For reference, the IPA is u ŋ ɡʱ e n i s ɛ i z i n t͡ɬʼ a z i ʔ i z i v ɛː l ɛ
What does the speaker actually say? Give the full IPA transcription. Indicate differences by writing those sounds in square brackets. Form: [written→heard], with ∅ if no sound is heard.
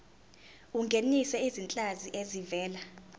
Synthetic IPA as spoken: u ŋ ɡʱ e n i s ɛ i z i n t͡ɬʼ a z i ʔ [i→e] z i v ɛː l [ɛ→a]

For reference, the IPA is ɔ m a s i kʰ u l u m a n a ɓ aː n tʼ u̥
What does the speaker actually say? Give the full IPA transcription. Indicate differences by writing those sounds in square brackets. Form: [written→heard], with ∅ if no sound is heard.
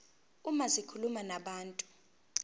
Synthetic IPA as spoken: [ɔ→u] m a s i kʰ u l u m a n a ɓ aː n tʼ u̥

